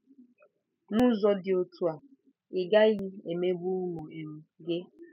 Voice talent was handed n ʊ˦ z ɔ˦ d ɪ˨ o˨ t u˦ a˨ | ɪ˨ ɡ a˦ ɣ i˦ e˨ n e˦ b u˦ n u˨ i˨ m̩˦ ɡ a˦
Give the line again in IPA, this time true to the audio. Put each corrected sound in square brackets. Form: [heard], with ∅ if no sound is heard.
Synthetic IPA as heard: n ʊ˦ z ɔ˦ d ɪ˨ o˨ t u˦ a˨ | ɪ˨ ɡ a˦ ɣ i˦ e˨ [m] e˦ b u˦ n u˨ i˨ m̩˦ ɡ [e˦]